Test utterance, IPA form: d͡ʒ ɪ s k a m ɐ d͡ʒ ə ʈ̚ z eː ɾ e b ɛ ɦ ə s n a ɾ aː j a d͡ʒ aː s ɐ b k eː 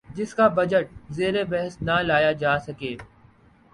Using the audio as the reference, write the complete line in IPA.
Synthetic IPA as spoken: d͡ʒ ɪ s k a b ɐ d͡ʒ ə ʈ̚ z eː ɾ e b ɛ ɦ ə s n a l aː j a d͡ʒ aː s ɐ k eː